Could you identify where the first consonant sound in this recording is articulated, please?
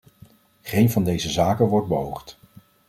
uvular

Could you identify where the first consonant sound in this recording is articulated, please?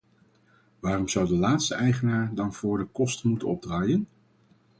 labial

